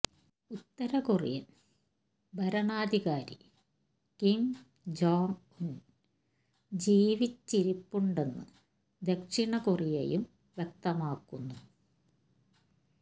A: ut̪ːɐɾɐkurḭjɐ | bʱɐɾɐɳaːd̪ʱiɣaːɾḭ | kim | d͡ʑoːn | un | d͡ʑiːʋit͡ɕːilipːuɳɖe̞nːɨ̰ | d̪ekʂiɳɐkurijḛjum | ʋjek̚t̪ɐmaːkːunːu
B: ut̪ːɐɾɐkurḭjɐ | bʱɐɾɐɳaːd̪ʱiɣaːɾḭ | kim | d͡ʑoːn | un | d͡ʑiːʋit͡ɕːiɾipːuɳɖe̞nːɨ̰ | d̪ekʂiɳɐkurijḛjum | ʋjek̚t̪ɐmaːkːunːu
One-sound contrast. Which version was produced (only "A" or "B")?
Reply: B